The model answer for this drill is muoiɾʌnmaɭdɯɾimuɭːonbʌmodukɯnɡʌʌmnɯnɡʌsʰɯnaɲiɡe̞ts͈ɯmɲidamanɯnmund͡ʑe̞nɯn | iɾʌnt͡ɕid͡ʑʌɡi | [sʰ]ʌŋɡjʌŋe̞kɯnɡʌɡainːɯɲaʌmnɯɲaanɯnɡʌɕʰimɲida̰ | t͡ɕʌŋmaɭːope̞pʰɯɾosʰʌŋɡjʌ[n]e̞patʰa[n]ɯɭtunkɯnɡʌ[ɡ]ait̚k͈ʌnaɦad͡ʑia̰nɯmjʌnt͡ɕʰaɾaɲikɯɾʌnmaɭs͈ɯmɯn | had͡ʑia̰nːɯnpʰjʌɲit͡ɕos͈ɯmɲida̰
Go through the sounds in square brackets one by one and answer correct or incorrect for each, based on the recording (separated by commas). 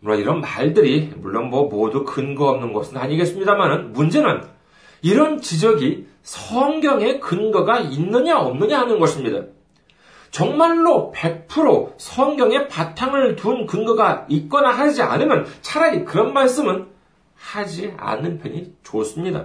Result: correct, incorrect, incorrect, correct